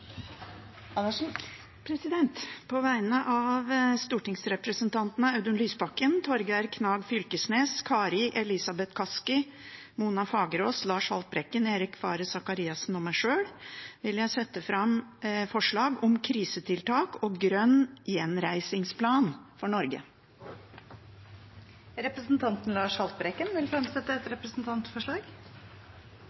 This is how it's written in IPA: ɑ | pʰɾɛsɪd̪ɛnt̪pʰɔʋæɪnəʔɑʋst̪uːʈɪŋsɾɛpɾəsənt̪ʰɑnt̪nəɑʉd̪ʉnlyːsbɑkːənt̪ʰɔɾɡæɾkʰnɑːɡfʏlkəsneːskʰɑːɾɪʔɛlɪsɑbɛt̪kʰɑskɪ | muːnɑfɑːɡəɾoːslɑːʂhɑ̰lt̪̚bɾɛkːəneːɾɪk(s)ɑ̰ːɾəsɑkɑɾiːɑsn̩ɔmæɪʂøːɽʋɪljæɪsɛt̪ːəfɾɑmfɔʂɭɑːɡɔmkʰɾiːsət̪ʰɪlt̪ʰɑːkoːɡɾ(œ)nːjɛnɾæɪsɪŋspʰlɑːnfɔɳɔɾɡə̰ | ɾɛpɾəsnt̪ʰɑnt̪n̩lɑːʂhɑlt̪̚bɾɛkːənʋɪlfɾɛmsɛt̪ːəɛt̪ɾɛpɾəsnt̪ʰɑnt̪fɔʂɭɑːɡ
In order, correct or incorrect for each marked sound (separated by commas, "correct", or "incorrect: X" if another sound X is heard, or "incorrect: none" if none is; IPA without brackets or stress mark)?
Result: incorrect: f, correct